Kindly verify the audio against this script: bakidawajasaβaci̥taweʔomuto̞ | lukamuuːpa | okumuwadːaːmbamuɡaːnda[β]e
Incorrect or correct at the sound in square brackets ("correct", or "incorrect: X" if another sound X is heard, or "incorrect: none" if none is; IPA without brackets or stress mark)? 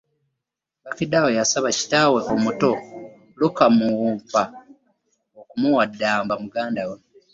incorrect: w